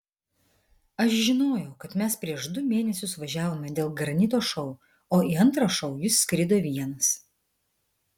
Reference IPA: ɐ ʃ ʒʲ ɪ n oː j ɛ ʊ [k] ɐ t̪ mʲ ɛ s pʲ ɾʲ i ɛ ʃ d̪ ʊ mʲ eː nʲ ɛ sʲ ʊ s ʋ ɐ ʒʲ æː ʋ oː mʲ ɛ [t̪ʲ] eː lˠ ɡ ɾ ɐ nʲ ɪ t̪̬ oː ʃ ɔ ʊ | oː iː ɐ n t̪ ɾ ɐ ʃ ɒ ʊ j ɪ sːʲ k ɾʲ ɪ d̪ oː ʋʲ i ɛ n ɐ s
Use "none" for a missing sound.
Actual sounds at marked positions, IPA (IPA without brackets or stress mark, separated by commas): k, d̪ʲ